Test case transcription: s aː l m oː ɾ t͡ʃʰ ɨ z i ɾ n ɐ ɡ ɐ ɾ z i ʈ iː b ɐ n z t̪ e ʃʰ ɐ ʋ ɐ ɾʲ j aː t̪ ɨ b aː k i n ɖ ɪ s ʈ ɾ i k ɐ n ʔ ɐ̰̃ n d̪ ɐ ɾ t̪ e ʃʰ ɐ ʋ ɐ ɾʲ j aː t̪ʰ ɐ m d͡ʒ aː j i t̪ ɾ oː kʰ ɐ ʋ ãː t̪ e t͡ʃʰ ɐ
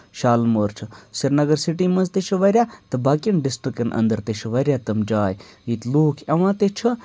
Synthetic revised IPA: ʃ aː l m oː ɾ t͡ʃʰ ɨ s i ɾ n ɐ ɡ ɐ ɾ s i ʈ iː m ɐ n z t̪ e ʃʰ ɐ ʋ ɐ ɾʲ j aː t̪ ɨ b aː k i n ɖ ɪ s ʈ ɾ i k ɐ n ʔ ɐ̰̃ n d̪ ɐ ɾ t̪ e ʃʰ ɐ ʋ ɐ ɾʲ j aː t̪ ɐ m d͡ʒ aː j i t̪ l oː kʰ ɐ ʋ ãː t̪ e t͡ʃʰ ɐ